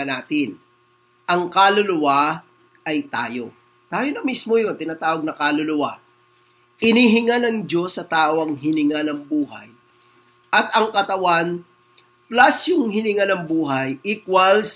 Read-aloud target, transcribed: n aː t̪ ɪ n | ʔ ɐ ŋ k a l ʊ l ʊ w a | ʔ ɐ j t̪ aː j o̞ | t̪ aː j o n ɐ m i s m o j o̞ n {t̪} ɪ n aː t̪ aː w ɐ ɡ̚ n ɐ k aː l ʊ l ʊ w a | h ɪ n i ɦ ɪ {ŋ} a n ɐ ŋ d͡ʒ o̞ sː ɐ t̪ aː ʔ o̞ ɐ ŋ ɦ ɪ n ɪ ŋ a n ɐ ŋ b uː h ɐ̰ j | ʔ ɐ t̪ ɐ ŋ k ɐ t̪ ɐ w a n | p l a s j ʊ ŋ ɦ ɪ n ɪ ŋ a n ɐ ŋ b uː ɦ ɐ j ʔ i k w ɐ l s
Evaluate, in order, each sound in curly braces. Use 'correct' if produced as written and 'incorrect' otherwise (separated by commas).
correct, correct